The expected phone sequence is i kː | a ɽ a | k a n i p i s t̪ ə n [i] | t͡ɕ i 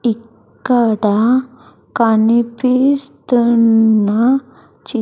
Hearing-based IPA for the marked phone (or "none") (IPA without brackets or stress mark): a